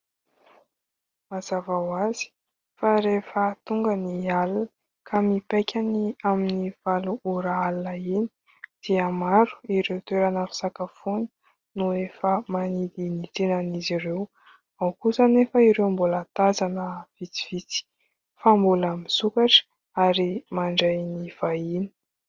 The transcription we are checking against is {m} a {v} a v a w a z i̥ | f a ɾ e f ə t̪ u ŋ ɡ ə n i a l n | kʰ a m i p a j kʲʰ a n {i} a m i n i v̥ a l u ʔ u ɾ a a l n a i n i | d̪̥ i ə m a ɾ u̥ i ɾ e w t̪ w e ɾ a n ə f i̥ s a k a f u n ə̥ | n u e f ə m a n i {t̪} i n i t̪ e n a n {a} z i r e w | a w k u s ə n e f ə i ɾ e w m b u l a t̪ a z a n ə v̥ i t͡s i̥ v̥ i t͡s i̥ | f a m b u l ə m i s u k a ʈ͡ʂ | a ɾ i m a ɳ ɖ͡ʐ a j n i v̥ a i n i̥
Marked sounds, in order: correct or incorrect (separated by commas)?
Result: correct, incorrect, correct, incorrect, incorrect